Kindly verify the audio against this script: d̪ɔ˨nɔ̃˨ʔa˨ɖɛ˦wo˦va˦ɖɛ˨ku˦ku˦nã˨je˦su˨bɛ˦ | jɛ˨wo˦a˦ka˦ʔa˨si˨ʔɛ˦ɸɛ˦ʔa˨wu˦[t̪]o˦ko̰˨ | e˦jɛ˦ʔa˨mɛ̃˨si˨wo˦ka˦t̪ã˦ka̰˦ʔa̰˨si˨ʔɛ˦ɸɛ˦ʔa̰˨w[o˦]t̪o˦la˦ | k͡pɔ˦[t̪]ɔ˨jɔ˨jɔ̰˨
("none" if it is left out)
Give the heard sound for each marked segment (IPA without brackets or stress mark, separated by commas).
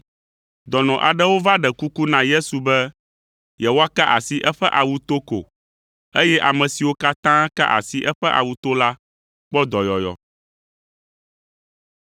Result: t̪, u˦, d̪